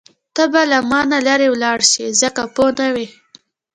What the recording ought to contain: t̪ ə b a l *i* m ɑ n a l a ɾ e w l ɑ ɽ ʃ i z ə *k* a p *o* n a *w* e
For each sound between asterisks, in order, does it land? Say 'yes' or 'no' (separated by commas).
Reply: no, yes, yes, yes